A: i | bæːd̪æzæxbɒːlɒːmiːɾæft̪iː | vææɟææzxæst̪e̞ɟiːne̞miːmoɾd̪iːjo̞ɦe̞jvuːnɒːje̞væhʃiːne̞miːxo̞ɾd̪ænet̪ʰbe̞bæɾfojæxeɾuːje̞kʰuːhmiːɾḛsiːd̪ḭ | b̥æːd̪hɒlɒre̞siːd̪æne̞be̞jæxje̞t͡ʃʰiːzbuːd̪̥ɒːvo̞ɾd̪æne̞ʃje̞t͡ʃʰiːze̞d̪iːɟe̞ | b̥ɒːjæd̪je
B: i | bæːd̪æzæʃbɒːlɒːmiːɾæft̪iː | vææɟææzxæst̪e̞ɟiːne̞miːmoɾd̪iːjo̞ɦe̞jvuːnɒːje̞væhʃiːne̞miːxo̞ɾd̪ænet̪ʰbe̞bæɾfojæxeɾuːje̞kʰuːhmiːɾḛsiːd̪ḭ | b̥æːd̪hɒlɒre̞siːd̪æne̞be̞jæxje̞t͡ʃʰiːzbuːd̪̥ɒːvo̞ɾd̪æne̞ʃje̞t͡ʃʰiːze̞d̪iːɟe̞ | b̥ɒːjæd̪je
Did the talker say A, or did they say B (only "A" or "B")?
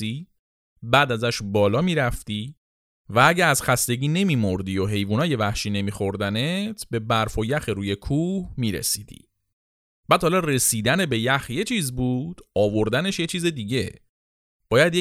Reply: B